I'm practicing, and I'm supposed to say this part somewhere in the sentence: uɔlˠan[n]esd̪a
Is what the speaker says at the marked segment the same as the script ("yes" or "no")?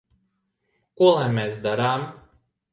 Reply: no